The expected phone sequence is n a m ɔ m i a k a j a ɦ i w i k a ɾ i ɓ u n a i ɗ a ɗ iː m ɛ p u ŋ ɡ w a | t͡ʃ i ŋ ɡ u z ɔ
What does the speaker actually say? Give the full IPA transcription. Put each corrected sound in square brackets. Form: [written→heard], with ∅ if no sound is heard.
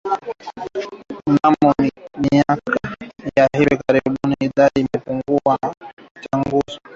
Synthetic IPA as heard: n a m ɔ m i a k a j a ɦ i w i k a ɾ i ɓ u n [a→i] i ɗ a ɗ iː m ɛ p u ŋ ɡ [w→u] a | t͡ʃ [i→a] ŋ ɡ u z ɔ